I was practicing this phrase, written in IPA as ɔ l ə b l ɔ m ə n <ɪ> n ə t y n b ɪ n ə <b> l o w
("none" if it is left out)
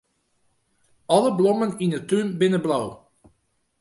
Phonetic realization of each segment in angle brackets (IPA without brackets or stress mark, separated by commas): i, b